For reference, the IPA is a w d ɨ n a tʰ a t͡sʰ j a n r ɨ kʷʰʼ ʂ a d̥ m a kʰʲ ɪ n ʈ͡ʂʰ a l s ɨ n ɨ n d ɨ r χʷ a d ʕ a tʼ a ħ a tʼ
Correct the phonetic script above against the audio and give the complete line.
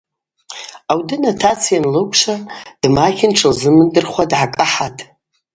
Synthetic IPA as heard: a w d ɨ n a tʰ a t͡sʰ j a n l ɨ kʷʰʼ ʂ a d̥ m a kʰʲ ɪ n ʈ͡ʂʰ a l z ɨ m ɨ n d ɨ r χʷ a d ʕ a kʼ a ħ a tʼ